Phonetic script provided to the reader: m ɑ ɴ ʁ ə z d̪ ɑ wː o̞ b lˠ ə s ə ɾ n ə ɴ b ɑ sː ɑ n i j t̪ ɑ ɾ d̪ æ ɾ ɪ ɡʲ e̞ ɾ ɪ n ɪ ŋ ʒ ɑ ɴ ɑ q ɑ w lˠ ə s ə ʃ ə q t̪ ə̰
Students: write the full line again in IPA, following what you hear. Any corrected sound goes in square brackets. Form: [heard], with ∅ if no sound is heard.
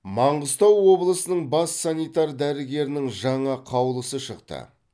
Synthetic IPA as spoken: m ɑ ɴ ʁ ə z [t̪] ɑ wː o̞ b lˠ ə s ə [∅] n ə ɴ b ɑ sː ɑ n i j t̪ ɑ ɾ d̪ æ ɾ ɪ ɡʲ e̞ ɾ ɪ n ɪ ŋ ʒ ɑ ɴ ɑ [qʰ] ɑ w lˠ ə s ə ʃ ə q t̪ ə̰